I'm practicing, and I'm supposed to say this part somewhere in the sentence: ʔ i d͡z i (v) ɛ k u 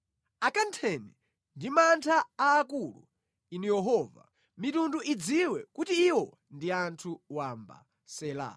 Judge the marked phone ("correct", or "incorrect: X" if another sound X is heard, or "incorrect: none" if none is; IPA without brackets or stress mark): incorrect: w